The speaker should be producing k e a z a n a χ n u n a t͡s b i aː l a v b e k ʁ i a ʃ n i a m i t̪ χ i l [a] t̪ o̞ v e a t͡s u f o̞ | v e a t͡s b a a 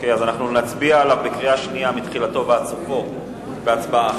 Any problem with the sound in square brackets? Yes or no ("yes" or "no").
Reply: no